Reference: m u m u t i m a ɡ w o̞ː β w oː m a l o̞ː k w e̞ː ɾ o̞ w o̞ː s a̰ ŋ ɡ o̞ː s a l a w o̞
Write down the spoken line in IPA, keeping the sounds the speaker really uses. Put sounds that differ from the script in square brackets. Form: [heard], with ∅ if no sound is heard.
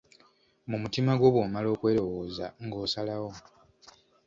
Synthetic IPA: m u m u t i m a ɡ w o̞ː β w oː m a l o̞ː k w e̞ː ɾ o̞ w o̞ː [z] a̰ ŋ ɡ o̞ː s a l a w o̞

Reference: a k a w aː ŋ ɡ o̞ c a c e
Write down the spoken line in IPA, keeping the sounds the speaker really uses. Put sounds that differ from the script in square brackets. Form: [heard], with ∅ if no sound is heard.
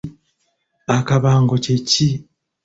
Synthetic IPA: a k a [β] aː ŋ ɡ o̞ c [e] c [i]

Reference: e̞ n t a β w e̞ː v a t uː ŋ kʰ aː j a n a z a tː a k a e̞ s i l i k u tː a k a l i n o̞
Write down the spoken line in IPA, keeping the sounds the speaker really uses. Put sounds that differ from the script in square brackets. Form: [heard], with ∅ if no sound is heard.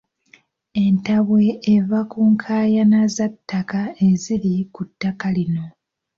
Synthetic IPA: e̞ n t a β w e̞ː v a [k] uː ŋ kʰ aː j a n a z a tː a k a e̞ [z] i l i k u tː a k a l i n o̞

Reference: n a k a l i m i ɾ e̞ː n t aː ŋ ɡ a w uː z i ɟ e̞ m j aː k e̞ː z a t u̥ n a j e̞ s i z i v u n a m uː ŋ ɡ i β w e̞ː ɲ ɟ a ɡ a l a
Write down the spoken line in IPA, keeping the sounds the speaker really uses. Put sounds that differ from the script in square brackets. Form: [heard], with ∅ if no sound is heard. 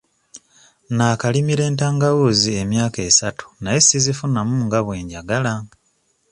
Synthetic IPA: n a k a l i m i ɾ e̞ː n t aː ŋ ɡ a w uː z i [∅] e̞ m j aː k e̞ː [s] a t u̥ n a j e̞ s i z i [f] u n a m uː ŋ ɡ [a] β w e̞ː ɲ ɟ a ɡ a l a

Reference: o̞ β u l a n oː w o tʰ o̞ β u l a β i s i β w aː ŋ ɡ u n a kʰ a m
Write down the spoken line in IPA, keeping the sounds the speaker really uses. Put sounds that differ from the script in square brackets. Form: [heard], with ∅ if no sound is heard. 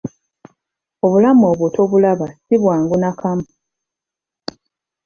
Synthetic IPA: o̞ β u l a [m] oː [β] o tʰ o̞ β u l a β [a] s i β w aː ŋ ɡ u n a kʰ a m

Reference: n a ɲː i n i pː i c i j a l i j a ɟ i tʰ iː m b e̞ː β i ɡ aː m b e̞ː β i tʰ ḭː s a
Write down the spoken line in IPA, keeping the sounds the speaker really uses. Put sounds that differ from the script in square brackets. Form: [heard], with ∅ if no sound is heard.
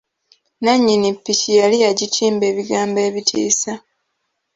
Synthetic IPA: n a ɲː i n i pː i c i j a l i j a ɟ i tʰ iː m b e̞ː β i ɡ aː m b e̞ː β i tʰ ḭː s a

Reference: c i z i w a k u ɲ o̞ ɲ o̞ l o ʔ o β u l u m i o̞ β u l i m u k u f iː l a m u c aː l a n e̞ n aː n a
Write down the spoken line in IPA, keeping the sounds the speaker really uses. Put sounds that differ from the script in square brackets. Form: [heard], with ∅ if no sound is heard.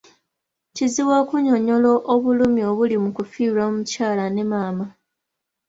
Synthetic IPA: c i z i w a k u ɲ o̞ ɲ o̞ l o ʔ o β u l u m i o̞ β u l i m u k u f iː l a m u c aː l a n e̞ [m] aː [m] a

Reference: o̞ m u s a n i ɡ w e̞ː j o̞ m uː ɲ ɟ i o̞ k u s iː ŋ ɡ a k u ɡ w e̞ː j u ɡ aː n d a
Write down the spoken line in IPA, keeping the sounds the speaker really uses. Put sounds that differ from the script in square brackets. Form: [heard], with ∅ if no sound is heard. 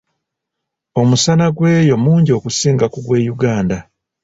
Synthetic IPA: o̞ m u s a n [a] ɡ w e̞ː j o̞ m uː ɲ ɟ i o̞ k u s iː ŋ ɡ a k u ɡ w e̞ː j u ɡ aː n d a

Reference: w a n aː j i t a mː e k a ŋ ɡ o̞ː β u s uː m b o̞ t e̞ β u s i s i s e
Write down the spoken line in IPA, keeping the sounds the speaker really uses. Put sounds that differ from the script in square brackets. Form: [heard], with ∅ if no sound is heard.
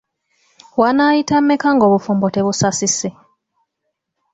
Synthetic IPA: w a n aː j i t a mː e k a ŋ ɡ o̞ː β u [f] uː m b o̞ t e̞ β u s [a] s i s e

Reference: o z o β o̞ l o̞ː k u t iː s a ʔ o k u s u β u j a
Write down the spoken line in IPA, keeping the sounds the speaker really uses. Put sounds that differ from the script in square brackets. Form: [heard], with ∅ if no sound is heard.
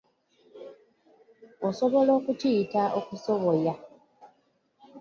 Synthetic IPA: o [s] o β o̞ l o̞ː k u t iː [t] a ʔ o k u s [o] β [o] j a

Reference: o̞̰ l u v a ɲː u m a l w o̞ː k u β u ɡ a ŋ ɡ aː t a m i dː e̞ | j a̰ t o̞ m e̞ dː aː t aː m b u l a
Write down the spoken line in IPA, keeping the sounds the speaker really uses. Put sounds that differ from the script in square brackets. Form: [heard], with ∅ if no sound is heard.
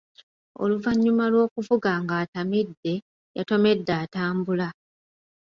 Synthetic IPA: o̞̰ l u v a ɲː u m a l w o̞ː k u [v] u ɡ a ŋ ɡ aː t a m i dː e̞ | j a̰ t o̞ m e̞ dː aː t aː m b u l a

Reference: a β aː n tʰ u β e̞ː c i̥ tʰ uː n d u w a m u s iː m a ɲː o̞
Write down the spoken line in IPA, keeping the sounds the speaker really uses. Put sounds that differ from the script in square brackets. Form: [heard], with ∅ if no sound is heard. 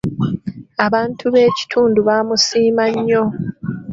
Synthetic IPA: a β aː n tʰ u β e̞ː c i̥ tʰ uː n d u [β] a m u s iː m a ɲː o̞

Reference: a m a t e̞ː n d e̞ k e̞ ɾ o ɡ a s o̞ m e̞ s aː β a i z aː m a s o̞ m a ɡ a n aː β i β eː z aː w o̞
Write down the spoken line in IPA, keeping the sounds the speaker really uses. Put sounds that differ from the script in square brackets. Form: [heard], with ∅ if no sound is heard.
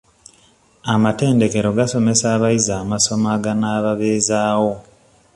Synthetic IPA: a m a t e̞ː n d e̞ k e̞ ɾ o ɡ a s o̞ m e̞ s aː β a i z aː m a s o̞ m a ɡ a n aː β [a] β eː z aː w o̞

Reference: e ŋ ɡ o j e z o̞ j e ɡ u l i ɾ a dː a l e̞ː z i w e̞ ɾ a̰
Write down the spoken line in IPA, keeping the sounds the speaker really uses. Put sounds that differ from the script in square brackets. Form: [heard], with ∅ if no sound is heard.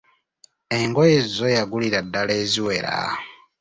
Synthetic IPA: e ŋ ɡ o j e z o̞ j [a] ɡ u l i ɾ a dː a l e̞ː z i w e̞ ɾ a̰

